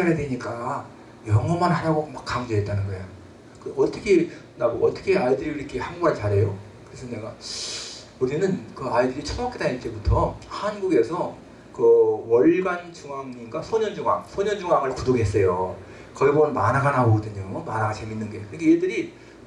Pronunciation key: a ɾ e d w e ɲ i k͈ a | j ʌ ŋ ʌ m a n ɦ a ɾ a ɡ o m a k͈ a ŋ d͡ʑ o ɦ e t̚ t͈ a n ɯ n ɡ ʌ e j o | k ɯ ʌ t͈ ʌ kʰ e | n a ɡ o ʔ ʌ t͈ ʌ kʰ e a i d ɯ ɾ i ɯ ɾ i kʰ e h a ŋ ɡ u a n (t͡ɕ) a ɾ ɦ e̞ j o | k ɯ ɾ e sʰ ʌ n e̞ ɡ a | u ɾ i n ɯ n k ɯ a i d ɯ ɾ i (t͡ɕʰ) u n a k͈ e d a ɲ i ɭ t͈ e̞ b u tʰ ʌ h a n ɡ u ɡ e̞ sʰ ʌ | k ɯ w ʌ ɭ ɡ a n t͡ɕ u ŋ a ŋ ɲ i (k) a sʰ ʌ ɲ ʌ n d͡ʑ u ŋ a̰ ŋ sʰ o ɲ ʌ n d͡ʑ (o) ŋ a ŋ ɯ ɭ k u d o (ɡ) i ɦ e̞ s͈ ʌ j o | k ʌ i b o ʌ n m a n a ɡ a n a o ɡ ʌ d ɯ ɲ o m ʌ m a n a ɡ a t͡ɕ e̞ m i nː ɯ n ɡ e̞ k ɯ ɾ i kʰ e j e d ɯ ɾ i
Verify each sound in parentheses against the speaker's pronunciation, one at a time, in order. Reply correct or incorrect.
correct, correct, incorrect, incorrect, correct

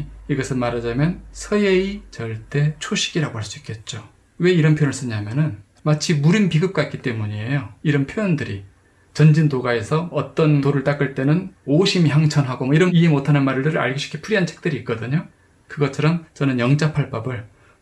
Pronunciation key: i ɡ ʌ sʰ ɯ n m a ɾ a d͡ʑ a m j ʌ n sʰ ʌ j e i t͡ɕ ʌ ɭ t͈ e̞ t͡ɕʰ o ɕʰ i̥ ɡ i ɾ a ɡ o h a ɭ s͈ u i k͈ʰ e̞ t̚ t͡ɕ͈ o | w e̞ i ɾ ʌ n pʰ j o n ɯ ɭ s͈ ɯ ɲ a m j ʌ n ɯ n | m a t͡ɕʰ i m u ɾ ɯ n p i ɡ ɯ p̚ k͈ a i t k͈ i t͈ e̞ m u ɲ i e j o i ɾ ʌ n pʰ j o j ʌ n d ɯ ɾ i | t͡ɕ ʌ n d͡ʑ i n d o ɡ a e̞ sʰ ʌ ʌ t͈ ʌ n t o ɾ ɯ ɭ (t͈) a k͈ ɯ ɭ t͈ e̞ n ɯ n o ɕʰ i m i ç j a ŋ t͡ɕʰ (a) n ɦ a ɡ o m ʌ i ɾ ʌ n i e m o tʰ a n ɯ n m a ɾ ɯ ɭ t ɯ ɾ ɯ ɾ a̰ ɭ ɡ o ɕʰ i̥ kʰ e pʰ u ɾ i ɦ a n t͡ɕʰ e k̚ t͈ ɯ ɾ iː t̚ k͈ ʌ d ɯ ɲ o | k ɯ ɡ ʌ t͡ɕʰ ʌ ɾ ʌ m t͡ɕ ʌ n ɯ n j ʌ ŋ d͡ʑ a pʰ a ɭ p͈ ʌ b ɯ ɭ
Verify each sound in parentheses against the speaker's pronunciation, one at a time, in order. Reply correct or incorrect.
correct, incorrect

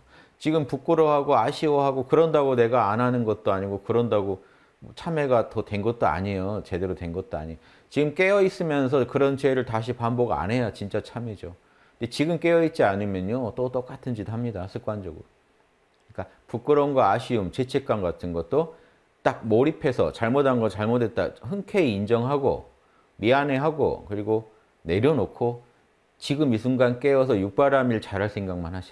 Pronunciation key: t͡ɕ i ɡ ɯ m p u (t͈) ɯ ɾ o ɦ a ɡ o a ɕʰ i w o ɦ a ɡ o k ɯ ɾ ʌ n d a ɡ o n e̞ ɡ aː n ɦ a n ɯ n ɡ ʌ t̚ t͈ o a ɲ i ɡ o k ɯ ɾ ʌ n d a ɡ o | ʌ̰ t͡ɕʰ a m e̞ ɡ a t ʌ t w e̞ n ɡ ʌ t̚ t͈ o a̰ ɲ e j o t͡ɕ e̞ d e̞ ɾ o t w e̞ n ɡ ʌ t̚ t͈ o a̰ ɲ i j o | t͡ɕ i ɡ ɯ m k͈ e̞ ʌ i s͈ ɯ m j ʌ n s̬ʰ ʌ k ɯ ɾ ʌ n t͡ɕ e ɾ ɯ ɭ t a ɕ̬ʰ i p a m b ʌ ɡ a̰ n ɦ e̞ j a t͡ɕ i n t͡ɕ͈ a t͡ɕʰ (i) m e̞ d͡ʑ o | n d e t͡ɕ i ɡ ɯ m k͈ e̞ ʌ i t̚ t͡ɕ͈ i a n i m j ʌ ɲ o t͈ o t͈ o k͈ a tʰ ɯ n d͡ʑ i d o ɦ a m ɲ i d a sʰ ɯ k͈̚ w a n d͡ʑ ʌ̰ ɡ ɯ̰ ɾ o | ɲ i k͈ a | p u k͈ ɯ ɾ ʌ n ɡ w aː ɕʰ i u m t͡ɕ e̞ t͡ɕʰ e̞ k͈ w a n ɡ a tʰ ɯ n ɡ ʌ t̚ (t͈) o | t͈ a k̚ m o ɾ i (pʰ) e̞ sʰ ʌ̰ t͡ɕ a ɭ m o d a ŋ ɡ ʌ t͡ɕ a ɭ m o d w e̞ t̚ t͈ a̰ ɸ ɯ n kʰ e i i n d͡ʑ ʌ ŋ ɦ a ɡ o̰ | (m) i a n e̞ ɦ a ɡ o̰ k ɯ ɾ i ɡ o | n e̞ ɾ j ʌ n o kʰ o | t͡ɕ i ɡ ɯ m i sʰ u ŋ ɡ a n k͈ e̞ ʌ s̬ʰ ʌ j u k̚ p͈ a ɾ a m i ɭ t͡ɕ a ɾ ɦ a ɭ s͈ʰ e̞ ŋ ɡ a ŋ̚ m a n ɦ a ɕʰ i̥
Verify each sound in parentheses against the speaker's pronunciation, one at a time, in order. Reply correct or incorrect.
incorrect, incorrect, correct, correct, correct

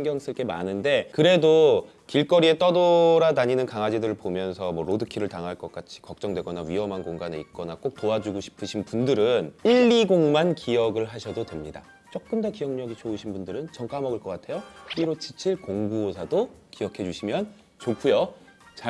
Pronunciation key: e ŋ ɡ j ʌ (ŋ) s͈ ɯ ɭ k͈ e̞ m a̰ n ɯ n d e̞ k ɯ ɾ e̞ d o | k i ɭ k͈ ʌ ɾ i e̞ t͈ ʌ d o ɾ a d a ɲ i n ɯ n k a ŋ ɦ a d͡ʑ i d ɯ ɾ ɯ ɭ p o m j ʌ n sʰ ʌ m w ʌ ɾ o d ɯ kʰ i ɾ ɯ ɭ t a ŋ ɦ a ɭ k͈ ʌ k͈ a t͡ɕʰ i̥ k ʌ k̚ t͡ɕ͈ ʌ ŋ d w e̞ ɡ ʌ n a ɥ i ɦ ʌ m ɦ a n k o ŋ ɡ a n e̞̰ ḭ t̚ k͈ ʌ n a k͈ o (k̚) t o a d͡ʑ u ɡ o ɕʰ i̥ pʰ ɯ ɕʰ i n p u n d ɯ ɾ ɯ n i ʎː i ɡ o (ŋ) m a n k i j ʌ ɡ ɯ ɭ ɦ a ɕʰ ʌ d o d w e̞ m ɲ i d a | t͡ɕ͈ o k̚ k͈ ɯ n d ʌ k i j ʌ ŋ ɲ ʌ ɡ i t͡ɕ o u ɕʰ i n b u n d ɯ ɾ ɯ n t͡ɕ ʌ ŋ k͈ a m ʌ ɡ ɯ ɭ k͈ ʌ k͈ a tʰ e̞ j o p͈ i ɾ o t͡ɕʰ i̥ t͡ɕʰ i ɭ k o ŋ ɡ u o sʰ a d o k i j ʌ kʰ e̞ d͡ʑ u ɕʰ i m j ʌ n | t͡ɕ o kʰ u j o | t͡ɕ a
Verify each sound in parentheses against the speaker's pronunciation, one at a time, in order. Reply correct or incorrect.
correct, correct, correct

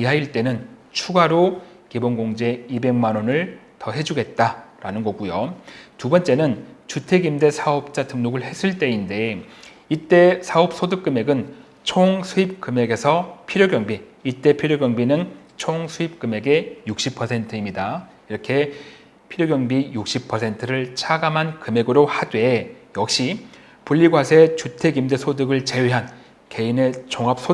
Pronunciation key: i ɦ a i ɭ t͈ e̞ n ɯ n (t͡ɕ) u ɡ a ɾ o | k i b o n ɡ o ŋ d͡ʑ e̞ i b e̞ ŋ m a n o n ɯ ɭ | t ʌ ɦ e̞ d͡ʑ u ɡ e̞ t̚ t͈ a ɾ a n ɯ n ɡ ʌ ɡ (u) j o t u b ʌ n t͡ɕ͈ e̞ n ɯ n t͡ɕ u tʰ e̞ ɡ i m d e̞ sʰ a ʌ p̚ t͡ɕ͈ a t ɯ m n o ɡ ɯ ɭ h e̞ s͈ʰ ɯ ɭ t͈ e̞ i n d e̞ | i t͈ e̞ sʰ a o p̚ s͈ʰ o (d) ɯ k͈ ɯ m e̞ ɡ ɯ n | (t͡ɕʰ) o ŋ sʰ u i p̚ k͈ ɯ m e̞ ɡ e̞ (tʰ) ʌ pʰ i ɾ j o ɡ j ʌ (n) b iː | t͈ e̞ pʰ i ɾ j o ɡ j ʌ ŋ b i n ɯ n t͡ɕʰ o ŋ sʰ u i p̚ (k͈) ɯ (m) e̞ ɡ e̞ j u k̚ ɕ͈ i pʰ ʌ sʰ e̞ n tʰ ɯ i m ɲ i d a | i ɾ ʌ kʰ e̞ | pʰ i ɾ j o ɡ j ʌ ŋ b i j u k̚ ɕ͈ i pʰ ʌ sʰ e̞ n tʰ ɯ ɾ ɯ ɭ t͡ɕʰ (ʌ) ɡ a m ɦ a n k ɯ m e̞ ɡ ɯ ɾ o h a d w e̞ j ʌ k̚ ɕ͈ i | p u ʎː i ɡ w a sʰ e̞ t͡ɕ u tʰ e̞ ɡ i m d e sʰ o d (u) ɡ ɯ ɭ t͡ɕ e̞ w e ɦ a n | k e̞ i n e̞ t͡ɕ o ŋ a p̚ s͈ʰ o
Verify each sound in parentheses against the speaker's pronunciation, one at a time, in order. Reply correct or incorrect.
incorrect, correct, correct, correct, incorrect, incorrect, correct, correct, incorrect, incorrect

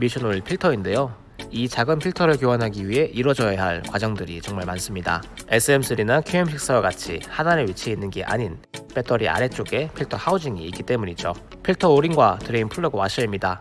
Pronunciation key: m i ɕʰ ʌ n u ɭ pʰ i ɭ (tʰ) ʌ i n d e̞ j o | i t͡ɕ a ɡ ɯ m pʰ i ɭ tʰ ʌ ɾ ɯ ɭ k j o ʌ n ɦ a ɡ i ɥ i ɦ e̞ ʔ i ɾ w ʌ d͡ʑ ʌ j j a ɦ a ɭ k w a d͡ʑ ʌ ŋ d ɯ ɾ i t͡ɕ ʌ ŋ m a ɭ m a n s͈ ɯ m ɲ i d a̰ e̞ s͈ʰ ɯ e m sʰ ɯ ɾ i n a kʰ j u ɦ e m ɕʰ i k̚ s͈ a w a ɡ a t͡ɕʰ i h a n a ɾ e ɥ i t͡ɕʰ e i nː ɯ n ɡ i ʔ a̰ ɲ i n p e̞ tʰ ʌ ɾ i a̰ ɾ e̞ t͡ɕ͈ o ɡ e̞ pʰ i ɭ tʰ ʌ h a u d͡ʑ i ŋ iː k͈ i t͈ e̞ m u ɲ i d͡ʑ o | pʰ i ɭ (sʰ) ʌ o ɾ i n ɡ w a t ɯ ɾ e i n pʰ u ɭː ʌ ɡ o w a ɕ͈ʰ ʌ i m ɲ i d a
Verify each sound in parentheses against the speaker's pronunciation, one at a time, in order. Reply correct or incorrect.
correct, incorrect

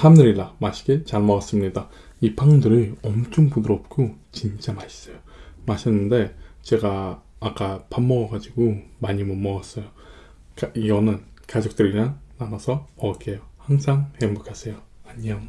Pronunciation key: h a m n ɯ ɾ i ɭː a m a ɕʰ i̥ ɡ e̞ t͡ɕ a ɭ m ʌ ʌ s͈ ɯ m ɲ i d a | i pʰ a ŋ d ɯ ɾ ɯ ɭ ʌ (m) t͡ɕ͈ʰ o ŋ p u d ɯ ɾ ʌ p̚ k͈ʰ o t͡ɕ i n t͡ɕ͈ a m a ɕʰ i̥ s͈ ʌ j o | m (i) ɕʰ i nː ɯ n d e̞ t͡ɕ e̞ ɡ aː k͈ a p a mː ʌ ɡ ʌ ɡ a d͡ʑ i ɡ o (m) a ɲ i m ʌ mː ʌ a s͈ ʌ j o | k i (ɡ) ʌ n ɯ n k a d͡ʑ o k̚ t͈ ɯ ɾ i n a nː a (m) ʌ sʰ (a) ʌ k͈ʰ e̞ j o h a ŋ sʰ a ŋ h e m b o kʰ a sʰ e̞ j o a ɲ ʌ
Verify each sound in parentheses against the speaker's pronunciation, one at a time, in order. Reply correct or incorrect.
correct, incorrect, correct, correct, incorrect, incorrect

